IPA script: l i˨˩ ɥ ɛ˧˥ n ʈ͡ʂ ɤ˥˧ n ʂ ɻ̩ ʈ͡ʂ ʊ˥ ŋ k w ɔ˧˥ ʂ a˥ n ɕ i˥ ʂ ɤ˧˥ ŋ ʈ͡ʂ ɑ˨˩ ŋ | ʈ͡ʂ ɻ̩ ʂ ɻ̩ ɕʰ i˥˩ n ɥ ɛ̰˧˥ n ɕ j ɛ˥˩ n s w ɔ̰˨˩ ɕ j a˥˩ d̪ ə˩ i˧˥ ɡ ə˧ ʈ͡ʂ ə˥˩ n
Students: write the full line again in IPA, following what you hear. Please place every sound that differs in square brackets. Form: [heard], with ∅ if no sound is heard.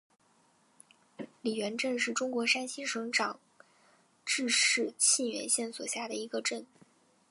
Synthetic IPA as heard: l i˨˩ ɥ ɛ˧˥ n ʈ͡ʂ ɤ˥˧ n ʂ ɻ̩ ʈ͡ʂ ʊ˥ ŋ k w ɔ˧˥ ʂ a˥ n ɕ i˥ ʂ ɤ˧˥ ŋ ʈ͡ʂ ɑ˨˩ ŋ | ʈ͡ʂ ɻ̩ ʂ ɻ̩ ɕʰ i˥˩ n ɥ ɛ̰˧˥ n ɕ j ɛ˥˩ n s w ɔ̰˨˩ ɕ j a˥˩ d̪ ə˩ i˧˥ ɡ ə˧ ʈ͡ʂ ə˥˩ n

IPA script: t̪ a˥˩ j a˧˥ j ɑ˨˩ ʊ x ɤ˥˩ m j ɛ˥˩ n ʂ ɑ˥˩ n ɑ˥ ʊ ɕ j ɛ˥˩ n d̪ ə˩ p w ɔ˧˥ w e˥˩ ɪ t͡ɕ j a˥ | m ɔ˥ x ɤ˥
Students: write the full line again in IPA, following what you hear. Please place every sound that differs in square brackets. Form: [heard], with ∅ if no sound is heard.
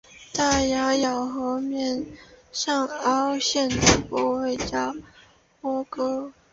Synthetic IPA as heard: t̪ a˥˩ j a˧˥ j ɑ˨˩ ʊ x [ɤ˧˥] m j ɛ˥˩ n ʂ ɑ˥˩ [ŋ] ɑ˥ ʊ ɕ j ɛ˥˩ n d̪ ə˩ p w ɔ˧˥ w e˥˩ ɪ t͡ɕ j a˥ | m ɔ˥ [k] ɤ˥

